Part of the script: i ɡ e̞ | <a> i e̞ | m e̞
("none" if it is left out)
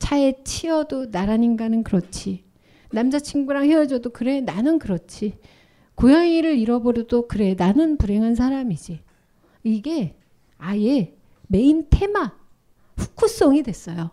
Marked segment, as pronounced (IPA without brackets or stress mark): a